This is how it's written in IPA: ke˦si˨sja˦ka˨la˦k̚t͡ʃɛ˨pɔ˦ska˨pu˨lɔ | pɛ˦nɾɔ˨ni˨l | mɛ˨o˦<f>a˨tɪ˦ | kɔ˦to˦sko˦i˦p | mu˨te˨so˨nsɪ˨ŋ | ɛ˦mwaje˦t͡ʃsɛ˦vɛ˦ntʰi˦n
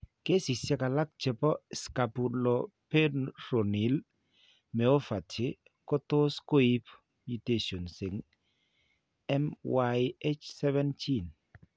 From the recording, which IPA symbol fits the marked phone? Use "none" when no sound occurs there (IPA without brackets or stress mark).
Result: f